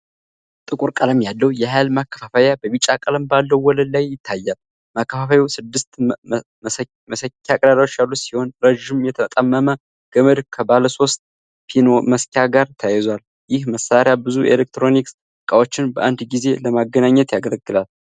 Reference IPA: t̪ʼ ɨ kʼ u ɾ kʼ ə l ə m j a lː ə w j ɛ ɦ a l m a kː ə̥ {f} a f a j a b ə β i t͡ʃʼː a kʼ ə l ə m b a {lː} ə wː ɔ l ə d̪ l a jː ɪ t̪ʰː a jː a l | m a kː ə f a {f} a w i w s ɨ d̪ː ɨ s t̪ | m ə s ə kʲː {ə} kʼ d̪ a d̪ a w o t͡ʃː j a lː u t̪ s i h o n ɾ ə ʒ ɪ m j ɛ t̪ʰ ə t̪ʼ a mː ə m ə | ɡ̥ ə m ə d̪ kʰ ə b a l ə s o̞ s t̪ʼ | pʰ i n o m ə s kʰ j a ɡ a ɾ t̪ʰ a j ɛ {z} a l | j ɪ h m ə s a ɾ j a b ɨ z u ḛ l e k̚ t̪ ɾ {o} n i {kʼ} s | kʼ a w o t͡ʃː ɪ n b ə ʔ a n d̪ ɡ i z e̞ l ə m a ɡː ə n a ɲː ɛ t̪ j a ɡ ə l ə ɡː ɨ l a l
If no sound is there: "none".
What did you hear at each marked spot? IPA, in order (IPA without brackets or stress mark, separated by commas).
f, lː, f, a, z, o, k